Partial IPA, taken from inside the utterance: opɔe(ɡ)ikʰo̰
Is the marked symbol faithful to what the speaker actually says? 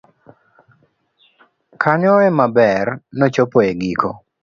yes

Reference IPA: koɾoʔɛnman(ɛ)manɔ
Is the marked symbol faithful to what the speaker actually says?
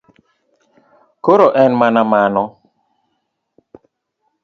no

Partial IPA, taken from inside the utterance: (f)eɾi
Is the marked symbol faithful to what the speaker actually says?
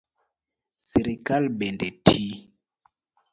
no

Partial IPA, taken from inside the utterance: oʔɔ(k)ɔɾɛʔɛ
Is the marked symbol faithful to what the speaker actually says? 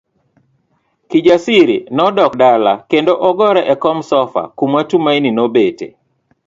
no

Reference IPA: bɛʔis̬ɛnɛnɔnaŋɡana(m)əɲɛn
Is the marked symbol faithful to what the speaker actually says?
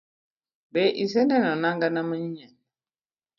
yes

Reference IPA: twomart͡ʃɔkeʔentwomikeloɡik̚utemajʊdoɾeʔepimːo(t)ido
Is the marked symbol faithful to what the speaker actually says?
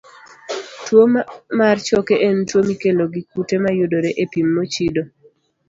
no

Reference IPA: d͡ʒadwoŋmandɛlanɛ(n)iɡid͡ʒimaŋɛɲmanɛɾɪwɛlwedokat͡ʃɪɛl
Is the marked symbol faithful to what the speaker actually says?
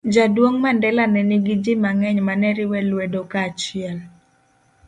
yes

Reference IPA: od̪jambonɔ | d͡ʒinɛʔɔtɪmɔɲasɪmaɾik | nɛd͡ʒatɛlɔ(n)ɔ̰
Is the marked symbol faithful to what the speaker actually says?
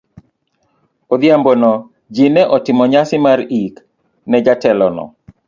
yes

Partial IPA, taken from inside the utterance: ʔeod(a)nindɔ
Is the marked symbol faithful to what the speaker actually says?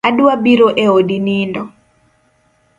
no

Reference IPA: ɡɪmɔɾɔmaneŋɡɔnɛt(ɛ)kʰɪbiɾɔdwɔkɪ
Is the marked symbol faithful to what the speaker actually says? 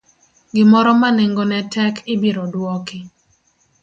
yes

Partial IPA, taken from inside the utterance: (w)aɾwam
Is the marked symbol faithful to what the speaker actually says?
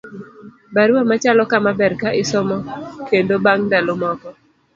no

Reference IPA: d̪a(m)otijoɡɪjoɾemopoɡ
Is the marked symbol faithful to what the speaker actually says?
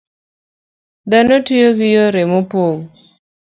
no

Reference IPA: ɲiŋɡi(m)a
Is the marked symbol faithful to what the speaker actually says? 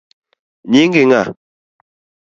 no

